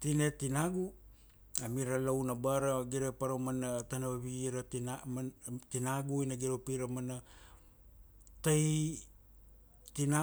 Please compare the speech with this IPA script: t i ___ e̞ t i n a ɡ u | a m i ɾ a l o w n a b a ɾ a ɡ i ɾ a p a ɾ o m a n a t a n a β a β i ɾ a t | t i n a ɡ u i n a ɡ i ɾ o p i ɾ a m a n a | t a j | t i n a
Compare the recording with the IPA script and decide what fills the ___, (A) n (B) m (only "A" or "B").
A